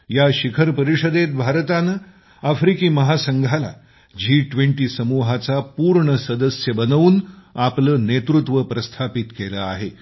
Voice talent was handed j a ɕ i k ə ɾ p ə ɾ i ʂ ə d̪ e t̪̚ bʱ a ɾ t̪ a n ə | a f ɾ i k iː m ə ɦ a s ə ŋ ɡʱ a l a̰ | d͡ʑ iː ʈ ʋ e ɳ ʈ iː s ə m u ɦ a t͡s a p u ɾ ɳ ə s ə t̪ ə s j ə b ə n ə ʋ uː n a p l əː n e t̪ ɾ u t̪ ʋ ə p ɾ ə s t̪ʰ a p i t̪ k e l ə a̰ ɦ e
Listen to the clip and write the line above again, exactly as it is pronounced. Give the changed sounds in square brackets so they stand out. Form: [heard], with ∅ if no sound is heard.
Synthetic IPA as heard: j a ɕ i [kʰ] ə ɾ p ə ɾ i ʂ ə d̪ e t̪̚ bʱ a ɾ t̪ a n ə | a f ɾ i k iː m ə ɦ a s ə ŋ ɡʱ a l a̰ | d͡ʑ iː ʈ ʋ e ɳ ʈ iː s ə m u ɦ a t͡s a p u ɾ ɳ ə s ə [d̪] ə s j ə b ə n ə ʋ uː n a p l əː n e t̪ ɾ u t̪ ʋ ə p ɾ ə s t̪ʰ a p i t̪ k e l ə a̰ ɦ e

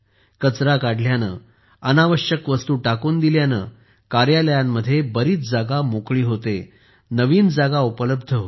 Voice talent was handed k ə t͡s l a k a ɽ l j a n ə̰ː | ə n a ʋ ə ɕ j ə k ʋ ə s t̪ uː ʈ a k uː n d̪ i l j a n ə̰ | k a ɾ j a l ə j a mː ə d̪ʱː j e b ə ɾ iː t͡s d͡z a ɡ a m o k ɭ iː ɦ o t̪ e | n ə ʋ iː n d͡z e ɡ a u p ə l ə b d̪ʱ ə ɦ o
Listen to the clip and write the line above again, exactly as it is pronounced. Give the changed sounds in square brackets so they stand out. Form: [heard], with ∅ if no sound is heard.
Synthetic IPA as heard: k ə t͡s [ɾ] a k a ɽ l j a n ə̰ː | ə n a ʋ ə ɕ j ə k ʋ ə s t̪ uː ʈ a k uː n d̪ i l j a n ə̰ | k a ɾ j a l ə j a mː ə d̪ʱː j e b ə ɾ iː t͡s d͡z a ɡ a m o k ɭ iː ɦ o t̪ e | n ə ʋ iː n d͡z [a] ɡ a u p ə l ə b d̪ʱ ə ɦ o

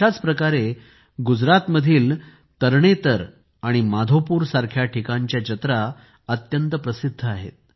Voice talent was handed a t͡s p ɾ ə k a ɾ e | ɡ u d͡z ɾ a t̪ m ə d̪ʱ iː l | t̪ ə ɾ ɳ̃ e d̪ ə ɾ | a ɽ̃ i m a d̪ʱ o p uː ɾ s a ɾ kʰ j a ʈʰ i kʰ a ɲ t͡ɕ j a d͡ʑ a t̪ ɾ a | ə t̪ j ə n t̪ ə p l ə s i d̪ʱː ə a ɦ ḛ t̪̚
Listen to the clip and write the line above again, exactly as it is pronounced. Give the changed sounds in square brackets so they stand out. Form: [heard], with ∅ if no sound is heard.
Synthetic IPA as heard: a t͡s p ɾ ə k a ɾ e | ɡ u d͡z ɾ a t̪ m ə d̪ʱ iː l | t̪ ə ɾ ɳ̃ e [t̪] ə ɾ | a ɽ̃ i m a d̪ʱ o p uː ɾ s a ɾ kʰ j a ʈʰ i [k] a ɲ t͡ɕ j a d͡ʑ [ə] t̪ ɾ a | ə t̪ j ə n t̪ ə p [ɾ] ə s i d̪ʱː ə a ɦ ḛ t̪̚

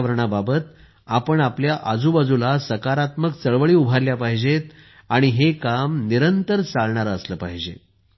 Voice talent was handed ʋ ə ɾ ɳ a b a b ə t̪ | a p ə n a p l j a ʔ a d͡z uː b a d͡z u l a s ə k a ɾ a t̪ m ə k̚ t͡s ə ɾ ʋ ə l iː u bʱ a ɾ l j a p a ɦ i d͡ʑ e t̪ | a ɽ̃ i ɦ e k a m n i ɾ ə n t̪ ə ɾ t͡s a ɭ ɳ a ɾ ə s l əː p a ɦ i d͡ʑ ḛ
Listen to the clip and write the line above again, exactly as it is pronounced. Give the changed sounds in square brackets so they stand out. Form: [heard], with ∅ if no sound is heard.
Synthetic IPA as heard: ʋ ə ɾ ɳ a b a b ə t̪ | a p ə [ɳ] a p l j a ʔ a d͡z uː b a d͡z u l a s ə k a ɾ a t̪ m ə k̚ t͡s ə [ɭ] ʋ ə [ɭ] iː u bʱ a ɾ l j a p a ɦ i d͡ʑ e t̪ | a ɽ̃ i ɦ e k a m n i ɾ ə n t̪ ə ɾ t͡s a ɭ ɳ a ɾ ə s l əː p a ɦ i d͡ʑ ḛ

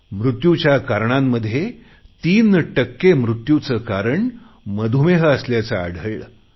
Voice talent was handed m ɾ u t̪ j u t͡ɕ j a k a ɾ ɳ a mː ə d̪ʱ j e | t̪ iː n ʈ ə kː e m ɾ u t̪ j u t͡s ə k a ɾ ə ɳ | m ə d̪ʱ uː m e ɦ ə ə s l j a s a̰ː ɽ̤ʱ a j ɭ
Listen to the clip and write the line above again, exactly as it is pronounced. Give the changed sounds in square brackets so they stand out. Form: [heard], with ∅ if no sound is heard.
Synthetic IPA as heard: m ɾ u t̪ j u t͡ɕ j a k a ɾ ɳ a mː ə d̪ʱ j e | t̪ iː n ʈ ə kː e m ɾ u t̪ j u t͡s ə k a ɾ ə ɳ | m ə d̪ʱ [u] m e ɦ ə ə s l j a [t͡s] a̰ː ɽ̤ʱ [ə] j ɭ

